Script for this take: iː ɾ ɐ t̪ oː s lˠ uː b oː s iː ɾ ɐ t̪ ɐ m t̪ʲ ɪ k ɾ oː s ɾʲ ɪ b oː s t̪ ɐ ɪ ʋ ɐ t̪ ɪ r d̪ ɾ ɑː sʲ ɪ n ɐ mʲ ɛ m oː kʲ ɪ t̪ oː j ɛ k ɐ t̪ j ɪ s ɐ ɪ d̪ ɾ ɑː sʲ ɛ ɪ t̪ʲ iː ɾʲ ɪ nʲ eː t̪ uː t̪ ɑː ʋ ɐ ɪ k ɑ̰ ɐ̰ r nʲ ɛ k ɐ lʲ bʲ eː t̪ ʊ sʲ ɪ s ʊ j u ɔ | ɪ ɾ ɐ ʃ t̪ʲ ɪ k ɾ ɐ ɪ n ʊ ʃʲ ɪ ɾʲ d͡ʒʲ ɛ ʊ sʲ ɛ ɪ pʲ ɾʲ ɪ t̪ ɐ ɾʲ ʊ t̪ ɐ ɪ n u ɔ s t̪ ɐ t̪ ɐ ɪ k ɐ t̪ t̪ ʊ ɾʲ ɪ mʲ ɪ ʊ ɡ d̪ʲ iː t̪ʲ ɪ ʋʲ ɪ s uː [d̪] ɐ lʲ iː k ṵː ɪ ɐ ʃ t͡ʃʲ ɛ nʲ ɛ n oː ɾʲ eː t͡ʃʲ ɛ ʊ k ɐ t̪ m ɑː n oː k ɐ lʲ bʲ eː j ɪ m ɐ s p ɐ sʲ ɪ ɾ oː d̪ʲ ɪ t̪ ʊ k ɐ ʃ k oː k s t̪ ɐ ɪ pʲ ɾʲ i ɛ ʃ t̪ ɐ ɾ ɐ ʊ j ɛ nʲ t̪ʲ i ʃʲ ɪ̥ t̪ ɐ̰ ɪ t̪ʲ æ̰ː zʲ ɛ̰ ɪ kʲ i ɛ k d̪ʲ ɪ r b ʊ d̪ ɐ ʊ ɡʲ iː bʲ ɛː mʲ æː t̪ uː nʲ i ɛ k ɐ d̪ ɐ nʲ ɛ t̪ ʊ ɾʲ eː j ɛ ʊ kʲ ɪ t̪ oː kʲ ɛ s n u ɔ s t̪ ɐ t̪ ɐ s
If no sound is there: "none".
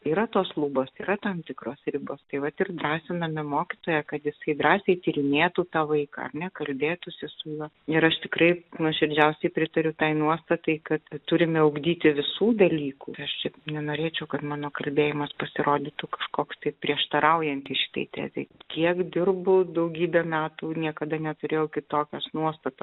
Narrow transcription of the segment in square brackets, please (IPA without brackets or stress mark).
d̪